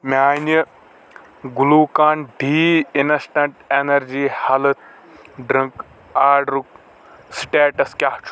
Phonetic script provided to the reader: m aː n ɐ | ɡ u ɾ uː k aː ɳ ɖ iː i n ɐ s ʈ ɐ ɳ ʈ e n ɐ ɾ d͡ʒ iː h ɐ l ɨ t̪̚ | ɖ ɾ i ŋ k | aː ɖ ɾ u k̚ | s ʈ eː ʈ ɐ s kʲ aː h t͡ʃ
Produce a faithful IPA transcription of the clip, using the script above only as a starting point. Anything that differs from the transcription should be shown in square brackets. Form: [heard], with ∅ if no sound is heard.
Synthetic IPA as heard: m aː n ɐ | ɡ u [l] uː k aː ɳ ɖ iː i n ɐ s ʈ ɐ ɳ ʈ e n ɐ ɾ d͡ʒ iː h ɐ l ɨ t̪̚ | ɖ ɾ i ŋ k | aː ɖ ɾ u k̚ | s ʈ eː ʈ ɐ s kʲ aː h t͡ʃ